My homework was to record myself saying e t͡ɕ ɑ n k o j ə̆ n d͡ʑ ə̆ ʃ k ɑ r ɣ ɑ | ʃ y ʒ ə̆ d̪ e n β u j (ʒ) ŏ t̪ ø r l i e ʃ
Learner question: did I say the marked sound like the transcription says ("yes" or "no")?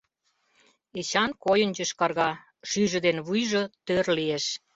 yes